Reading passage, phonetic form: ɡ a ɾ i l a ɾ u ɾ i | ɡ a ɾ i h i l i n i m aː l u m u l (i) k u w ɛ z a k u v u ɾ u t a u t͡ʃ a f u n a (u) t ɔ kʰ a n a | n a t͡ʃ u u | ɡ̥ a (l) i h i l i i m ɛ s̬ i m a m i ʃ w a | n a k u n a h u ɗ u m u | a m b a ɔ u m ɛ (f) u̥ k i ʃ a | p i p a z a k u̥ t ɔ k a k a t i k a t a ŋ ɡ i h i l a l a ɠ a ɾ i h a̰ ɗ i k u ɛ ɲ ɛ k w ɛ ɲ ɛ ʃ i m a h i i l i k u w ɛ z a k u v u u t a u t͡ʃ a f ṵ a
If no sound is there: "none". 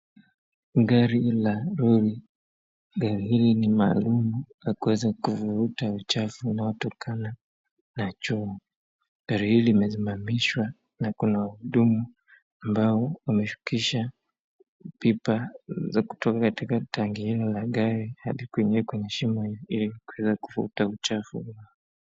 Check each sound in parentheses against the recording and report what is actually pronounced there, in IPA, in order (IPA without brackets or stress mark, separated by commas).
a, ɔ, ɾ, ʃ